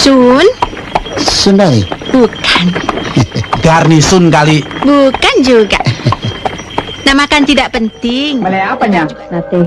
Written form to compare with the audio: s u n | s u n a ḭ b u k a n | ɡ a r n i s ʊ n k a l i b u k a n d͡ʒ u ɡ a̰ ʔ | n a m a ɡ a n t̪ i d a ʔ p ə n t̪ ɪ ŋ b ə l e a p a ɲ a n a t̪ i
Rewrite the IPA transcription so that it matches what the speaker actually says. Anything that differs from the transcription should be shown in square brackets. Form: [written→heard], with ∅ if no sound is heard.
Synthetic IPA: s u n | s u n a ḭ b u k a n | ɡ a r n i s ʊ n k a l i b u k a n d͡ʒ u ɡ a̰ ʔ | n a m a [ɡ→k] a n t̪ i d a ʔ p ə n t̪ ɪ ŋ [b→m] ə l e a p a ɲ a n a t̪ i